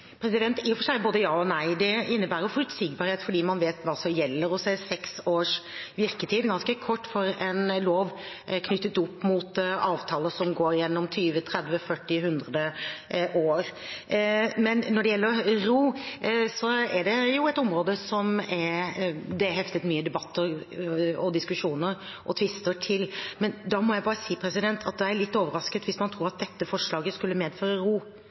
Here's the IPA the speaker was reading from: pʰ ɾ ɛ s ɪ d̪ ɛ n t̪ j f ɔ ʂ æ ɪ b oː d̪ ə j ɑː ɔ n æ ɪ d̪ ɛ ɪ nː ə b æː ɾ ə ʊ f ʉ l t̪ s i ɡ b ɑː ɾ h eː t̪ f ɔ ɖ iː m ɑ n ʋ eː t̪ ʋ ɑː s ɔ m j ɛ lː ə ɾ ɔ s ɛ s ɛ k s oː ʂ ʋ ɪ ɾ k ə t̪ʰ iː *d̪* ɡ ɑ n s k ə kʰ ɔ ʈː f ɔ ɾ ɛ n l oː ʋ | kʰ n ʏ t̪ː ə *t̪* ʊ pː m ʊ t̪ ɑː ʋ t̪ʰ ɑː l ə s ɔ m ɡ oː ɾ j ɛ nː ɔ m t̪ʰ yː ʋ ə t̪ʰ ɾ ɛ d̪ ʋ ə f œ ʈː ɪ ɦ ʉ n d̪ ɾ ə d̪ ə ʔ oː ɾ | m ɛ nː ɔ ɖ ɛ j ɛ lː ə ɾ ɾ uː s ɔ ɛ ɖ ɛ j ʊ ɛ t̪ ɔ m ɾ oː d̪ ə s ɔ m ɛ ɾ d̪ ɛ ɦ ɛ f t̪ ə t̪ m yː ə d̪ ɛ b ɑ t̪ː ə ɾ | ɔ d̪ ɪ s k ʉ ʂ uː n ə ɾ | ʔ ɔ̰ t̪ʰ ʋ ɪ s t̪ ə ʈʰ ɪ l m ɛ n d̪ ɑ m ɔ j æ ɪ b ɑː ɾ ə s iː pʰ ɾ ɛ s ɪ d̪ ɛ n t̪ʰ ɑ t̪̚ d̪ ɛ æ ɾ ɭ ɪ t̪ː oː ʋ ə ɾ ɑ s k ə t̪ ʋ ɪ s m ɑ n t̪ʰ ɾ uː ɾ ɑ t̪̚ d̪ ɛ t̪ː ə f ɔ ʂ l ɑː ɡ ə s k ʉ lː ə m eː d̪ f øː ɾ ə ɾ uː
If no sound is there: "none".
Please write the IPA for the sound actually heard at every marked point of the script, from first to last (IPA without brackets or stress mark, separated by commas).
d̪, t̪